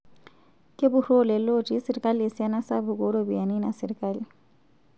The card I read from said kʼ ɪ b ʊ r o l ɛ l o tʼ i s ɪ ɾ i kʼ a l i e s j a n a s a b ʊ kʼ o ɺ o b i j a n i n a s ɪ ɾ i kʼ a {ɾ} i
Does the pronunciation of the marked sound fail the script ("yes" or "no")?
yes